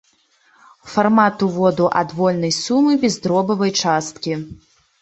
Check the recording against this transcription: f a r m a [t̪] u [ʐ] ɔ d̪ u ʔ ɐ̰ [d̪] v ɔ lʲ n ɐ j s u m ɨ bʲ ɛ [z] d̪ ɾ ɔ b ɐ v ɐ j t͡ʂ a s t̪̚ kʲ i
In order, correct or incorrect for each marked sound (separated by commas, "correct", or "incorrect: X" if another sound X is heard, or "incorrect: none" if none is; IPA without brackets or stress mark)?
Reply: correct, incorrect: v, correct, correct